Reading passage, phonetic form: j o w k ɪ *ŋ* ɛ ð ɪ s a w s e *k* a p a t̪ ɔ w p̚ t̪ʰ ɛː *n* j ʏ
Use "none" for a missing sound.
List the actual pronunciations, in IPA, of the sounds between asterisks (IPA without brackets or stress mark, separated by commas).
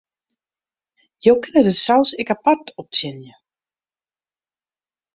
n, k, n